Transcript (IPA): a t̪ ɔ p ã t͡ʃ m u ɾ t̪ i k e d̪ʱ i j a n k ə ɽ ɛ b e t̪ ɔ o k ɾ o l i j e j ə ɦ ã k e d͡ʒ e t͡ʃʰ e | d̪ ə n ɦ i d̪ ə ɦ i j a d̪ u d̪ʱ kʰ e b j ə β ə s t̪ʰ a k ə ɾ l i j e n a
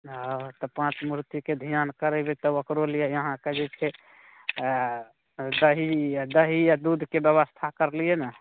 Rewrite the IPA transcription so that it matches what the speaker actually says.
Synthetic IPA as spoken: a t̪ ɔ p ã t͡ʃ m u ɾ t̪ i k e d̪ʱ i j a n k ə ɾ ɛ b e t̪ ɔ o k ɾ o l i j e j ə ɦ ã k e d͡ʒ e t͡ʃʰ e | d̪ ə ɦ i d̪ ə ɦ i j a d̪ u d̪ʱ k e b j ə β ə s t̪ʰ a k ə ɾ l i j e n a